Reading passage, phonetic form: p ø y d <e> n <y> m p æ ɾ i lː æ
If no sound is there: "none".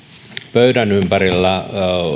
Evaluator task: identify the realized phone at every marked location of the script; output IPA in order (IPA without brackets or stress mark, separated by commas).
æ, y